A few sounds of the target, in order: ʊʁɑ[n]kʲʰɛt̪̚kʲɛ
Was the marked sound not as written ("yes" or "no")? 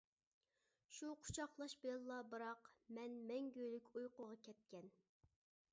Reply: yes